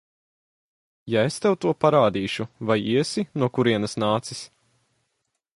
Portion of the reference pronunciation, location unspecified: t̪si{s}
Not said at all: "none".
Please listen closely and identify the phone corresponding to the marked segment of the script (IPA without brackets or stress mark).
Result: s